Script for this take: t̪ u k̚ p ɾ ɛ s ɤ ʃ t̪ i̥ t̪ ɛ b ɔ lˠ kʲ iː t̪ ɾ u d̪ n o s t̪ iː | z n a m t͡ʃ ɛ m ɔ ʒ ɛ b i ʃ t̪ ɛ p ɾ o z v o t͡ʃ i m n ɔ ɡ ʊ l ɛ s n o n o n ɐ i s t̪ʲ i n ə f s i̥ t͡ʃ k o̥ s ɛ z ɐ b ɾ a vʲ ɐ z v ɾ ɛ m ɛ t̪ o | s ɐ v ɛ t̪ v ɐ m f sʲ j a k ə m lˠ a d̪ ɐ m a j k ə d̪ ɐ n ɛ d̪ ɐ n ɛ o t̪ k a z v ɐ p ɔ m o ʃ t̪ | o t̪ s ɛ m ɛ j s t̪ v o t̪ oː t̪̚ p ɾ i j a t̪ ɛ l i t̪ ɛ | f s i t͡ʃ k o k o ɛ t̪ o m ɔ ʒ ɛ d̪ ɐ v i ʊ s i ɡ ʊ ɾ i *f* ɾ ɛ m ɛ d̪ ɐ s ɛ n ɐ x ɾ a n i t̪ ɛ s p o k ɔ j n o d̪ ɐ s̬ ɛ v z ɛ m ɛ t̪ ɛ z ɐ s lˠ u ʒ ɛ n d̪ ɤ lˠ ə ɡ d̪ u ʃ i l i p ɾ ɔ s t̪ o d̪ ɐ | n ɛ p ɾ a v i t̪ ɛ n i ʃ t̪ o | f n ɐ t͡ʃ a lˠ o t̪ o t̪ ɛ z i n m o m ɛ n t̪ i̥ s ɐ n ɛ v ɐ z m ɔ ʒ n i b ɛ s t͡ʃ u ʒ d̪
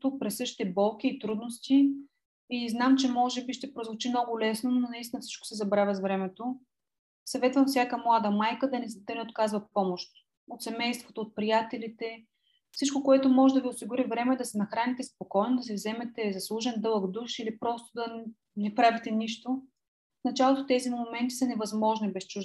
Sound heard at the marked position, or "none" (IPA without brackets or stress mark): v